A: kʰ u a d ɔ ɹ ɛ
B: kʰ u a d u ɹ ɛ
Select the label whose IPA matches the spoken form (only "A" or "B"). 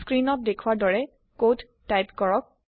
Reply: A